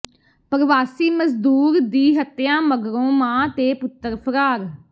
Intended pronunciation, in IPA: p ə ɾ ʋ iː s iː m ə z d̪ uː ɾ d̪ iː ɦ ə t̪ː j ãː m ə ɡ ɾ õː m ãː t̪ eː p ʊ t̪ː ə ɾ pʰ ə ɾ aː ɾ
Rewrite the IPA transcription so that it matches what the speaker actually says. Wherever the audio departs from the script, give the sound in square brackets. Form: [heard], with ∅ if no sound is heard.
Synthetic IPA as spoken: p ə ɾ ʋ [aː] s iː m ə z d̪ uː ɾ d̪ iː ɦ ə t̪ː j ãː m ə ɡ ɾ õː m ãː t̪ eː p ʊ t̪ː ə ɾ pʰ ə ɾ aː ɾ